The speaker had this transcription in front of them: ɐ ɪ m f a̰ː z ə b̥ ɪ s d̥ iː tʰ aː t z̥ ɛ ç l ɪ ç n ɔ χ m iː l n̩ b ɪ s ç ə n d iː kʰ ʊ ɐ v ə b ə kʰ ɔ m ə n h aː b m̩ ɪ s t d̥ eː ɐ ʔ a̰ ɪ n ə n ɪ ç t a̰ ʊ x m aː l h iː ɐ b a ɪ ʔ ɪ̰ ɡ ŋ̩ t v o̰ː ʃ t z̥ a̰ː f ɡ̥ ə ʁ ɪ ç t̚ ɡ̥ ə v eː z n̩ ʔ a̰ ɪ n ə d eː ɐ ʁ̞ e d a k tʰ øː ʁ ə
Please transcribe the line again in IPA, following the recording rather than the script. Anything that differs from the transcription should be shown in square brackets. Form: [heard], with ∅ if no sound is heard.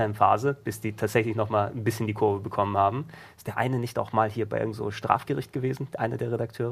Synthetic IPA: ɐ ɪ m f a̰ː z ə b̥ ɪ s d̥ iː tʰ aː t z̥ ɛ ç l ɪ ç n ɔ χ m [aː] l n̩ b ɪ s ç ə n d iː kʰ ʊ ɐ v ə b ə kʰ ɔ m ə n h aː b m̩ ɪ s t d̥ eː ɐ ʔ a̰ ɪ n ə n ɪ ç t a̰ ʊ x m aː l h iː ɐ b a ɪ ʔ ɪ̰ ɡ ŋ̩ t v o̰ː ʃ t [ʁ̥] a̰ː f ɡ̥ ə ʁ ɪ ç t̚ ɡ̥ ə v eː z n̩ ʔ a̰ ɪ n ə d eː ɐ ʁ̞ e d a k tʰ øː ʁ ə